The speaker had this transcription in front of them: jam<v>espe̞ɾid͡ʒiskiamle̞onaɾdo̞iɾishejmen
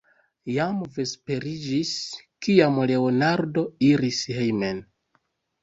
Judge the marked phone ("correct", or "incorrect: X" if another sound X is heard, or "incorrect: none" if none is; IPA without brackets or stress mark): correct